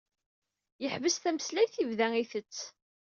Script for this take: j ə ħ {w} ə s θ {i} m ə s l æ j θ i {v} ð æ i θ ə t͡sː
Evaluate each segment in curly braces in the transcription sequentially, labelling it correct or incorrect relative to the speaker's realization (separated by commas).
incorrect, incorrect, correct